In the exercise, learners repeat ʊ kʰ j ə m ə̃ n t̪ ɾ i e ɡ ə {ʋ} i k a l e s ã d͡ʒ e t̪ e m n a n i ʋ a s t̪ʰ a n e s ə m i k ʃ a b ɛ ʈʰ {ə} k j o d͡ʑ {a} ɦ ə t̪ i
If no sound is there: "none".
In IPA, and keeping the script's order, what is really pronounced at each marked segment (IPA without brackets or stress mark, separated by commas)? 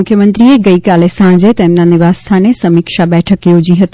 none, ə, i